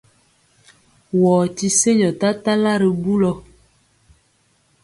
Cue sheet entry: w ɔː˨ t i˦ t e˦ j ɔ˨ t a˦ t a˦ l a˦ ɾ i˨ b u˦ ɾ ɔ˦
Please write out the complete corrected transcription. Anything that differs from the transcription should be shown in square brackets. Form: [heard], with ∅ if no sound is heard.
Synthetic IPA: w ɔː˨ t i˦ [s] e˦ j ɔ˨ t a˦ t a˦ l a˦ ɾ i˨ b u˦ [l] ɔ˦